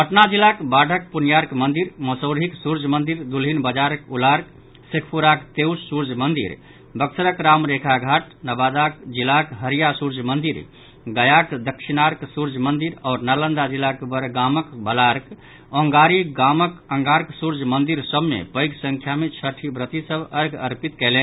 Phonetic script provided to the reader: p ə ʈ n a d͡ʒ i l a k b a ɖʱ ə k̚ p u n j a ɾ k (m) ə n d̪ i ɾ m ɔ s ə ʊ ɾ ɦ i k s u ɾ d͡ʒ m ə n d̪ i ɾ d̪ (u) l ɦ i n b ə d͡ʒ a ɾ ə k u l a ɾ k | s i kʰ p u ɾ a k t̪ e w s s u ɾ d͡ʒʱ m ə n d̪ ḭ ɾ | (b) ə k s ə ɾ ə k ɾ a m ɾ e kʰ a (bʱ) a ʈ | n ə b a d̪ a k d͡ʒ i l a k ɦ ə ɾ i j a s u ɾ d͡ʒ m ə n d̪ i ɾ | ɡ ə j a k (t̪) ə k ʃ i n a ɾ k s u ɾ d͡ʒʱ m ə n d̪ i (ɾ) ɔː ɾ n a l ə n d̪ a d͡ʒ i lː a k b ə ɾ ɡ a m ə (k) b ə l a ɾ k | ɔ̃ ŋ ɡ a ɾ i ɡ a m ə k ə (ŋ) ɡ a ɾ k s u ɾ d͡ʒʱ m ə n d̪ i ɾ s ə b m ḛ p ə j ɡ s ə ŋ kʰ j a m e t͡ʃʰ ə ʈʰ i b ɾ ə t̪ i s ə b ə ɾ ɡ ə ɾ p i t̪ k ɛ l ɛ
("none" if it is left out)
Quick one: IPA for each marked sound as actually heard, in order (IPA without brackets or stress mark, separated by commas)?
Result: m, u, b, ɡʱ, d̪, ɾ, k, ŋ